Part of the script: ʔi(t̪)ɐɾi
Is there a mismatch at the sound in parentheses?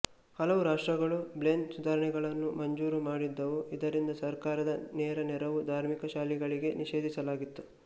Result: yes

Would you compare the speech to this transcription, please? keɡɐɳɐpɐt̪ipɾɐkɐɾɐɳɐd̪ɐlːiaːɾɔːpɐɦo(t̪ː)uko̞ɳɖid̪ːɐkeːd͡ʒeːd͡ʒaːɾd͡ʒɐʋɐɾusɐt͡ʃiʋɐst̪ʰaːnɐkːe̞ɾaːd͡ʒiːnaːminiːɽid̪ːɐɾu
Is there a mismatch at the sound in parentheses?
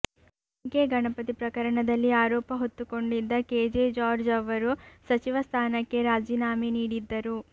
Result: no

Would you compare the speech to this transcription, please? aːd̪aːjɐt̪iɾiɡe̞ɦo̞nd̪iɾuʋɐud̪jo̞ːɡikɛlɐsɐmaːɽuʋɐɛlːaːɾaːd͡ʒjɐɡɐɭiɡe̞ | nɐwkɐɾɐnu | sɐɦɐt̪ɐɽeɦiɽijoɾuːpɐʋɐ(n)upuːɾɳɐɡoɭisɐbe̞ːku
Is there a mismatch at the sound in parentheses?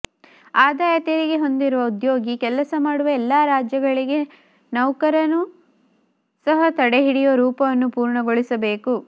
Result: yes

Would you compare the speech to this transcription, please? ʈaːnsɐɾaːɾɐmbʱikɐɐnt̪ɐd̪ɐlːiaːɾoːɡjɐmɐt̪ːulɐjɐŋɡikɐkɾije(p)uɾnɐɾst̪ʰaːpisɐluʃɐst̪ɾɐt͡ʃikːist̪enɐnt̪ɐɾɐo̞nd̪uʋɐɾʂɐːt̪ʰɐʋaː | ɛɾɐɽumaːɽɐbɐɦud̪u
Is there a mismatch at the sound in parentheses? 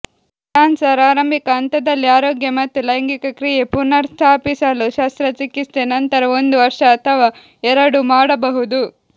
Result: no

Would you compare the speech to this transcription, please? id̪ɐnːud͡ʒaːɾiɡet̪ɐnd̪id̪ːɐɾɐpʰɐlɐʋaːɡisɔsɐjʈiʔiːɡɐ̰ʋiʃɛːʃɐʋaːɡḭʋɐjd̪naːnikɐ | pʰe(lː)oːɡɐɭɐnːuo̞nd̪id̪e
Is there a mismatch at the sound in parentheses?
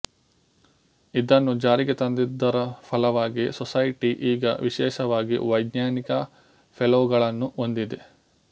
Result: yes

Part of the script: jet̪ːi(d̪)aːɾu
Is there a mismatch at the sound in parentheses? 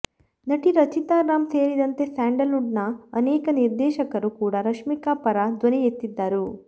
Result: yes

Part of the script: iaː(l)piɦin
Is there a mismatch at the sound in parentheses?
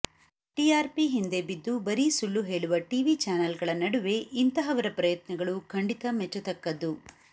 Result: yes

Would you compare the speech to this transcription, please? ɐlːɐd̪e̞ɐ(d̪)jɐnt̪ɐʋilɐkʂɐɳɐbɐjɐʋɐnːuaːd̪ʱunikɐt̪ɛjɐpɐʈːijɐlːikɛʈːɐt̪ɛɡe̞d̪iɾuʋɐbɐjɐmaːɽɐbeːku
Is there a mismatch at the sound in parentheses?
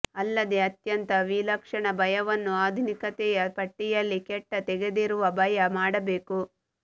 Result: yes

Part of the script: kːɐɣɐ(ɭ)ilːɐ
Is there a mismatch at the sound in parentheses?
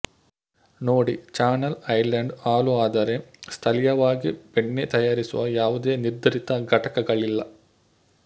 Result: no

